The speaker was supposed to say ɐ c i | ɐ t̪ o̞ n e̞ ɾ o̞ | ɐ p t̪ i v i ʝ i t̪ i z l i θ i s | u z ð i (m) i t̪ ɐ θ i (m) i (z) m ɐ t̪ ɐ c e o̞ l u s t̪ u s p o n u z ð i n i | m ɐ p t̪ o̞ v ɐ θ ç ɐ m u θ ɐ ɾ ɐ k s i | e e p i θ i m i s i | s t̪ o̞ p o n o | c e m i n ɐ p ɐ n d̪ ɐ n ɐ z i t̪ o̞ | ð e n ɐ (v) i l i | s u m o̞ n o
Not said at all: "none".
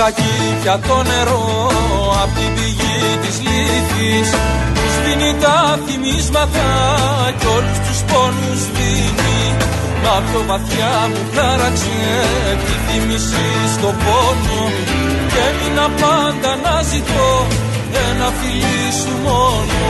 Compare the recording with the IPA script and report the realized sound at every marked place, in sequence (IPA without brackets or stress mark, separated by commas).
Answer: n, m, z, f